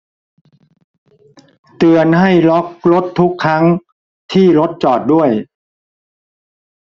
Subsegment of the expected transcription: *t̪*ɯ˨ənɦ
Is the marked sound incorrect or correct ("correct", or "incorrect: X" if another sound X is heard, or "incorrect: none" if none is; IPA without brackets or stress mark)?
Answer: correct